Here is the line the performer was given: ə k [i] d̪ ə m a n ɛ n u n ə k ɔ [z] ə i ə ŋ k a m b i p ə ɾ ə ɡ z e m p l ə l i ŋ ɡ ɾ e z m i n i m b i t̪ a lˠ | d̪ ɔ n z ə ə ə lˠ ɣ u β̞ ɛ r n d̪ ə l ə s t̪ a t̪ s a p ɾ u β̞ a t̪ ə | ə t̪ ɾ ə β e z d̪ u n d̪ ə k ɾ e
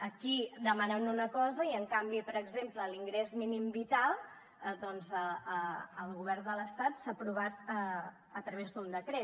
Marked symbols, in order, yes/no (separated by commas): yes, yes